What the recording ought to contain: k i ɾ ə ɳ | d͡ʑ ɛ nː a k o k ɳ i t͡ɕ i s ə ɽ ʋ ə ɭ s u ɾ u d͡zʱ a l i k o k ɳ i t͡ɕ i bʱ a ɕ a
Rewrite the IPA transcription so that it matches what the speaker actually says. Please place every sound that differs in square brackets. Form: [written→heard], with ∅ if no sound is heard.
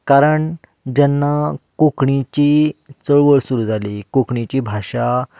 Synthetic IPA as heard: k [i→a] ɾ ə ɳ | d͡ʑ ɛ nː a k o k ɳ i t͡ɕ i [s→t͡s] ə [ɽ→ɭ] ʋ ə ɭ s u ɾ u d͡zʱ a l i k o k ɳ i t͡ɕ i bʱ a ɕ a

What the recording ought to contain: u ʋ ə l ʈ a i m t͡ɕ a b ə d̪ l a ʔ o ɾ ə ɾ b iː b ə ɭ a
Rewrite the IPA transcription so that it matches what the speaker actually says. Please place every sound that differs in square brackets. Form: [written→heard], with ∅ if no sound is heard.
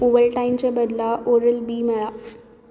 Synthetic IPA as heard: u ʋ ə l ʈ a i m t͡ɕ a b ə d̪ l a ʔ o ɾ ə [ɾ→l] b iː [b→m] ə ɭ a

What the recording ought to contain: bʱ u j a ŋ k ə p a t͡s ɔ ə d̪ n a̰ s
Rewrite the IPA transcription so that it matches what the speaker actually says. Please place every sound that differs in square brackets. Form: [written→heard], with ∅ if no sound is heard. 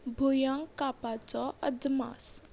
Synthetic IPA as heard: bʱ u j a ŋ k [ə→a] p a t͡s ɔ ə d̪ [n→m] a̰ s

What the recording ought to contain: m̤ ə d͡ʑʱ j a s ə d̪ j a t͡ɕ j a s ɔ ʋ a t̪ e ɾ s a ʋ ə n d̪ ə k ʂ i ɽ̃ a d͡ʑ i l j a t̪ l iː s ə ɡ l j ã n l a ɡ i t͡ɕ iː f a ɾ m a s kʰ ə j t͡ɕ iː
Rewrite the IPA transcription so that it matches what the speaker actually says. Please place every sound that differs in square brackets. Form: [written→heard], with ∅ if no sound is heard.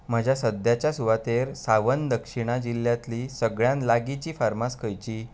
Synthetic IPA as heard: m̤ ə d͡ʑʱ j a s ə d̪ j a t͡ɕ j a s [ɔ→u] ʋ a t̪ e ɾ s a ʋ ə n d̪ ə k ʂ i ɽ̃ a d͡ʑ i l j a t̪ l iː s ə ɡ [l→ɭ] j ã n l a ɡ i t͡ɕ iː f a ɾ m a s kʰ ə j t͡ɕ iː

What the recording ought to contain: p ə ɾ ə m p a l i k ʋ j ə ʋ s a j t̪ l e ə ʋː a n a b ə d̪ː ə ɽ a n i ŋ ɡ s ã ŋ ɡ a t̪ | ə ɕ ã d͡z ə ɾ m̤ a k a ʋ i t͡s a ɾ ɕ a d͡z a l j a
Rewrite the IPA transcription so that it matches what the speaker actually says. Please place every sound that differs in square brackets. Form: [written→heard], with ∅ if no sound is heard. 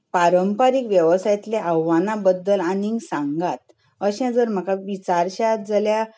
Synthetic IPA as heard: p [ə→a] ɾ ə m p a [l→ɾ] i k ʋ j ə ʋ s a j t̪ l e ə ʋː a n a b ə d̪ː ə [ɽ→l] a n i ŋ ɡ s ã ŋ ɡ a t̪ | ə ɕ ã d͡z ə ɾ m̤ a k a ʋ i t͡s a ɾ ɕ a d͡z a l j a

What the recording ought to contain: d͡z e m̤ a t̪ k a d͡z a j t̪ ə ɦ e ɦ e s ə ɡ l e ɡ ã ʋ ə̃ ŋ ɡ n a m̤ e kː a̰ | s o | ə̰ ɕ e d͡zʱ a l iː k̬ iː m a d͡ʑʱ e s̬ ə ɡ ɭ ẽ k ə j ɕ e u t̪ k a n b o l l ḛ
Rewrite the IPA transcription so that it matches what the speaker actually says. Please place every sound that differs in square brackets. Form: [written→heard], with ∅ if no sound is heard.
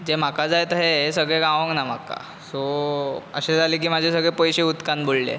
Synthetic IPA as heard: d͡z e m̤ a [t̪→∅] k a d͡z a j t̪ ə ɦ e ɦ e s ə ɡ [l→ɭ] e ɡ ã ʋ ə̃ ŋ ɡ n a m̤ [e→a] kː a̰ | s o | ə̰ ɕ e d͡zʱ a l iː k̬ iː m a d͡ʑʱ e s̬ ə ɡ ɭ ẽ [k→p] ə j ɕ e u t̪ k a n b o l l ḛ

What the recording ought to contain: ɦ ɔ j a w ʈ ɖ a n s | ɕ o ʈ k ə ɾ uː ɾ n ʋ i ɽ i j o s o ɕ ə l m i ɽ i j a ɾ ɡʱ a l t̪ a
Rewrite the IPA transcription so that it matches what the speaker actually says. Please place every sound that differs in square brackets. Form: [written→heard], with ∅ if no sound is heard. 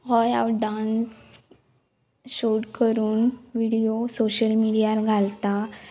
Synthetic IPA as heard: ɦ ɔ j a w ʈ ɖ a n s | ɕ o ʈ k ə ɾ uː [ɾ→∅] n ʋ i ɽ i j o s o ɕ ə l m i ɽ i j a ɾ ɡʱ a l t̪ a

